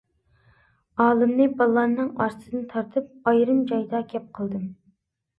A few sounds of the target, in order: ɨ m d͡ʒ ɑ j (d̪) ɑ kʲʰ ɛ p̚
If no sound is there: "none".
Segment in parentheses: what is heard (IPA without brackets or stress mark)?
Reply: d̪